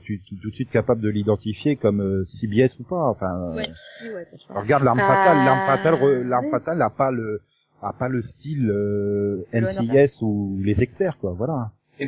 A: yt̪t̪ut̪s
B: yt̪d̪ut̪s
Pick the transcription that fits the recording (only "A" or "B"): A